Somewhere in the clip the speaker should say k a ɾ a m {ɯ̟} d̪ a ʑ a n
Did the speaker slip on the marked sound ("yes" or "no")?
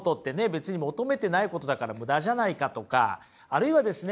no